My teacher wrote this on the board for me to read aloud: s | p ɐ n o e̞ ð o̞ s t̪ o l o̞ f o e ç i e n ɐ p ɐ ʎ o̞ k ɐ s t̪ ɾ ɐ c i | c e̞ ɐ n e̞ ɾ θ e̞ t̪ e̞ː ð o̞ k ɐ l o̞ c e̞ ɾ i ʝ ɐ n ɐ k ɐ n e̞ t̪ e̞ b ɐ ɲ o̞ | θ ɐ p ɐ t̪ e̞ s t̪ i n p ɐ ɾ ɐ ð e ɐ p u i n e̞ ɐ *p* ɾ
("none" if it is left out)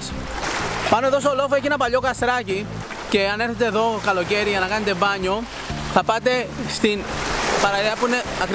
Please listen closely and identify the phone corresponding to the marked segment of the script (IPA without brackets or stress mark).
k